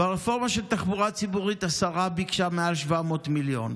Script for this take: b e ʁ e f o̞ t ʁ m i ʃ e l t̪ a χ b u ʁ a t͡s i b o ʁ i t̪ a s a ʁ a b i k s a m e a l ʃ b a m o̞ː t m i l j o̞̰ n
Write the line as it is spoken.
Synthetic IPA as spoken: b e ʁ e f o̞ ʁ m a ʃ e l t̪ a χ b u ʁ a t͡s i b u ʁ i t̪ a s a ʁ a b i k ʃ a m e a l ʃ v a m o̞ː t m i l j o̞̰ n